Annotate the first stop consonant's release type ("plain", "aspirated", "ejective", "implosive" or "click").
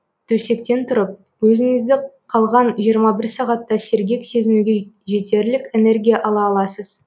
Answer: aspirated